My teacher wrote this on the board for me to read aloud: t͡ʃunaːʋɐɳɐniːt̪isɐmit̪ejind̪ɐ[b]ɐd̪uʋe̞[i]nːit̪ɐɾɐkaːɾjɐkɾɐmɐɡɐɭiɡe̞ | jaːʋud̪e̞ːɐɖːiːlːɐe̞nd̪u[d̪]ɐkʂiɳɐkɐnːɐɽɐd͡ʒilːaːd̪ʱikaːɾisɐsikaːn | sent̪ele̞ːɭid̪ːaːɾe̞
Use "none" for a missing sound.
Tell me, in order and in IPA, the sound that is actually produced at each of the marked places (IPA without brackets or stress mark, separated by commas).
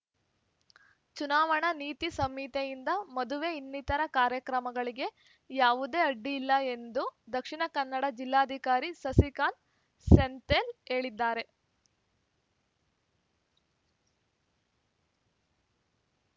m, i, d̪